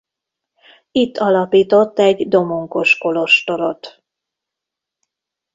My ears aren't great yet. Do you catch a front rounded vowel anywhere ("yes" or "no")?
no